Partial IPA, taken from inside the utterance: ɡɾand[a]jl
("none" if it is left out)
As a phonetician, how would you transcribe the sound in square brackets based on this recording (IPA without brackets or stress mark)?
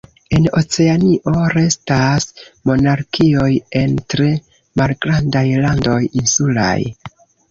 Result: a